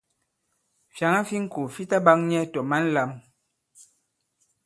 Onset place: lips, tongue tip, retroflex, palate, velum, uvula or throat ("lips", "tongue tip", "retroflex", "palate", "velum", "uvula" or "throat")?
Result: lips